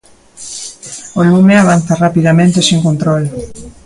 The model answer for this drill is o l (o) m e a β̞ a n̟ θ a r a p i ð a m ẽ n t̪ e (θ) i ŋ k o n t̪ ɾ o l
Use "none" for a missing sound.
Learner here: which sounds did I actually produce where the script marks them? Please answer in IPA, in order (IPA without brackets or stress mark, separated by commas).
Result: u, s